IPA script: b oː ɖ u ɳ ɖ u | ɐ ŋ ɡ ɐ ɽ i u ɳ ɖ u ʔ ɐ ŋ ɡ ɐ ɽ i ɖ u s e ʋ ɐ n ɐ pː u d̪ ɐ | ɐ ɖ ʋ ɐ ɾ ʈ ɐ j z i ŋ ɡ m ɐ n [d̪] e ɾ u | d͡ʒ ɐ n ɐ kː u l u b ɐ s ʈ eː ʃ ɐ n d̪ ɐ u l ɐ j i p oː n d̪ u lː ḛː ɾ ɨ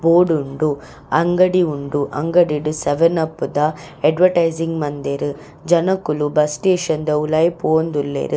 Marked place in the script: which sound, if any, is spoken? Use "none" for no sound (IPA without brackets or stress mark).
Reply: d̪